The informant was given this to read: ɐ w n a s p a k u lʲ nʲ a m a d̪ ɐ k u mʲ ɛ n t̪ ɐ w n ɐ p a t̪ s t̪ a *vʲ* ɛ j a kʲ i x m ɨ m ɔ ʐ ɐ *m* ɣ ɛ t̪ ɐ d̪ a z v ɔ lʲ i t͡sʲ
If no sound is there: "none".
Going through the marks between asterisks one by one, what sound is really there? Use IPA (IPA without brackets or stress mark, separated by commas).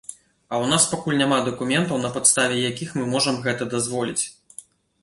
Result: vʲ, m